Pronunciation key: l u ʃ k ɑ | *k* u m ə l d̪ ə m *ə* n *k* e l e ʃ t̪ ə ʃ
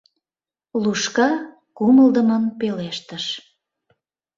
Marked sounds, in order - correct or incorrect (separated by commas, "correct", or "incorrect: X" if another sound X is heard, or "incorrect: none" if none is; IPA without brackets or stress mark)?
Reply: correct, correct, incorrect: p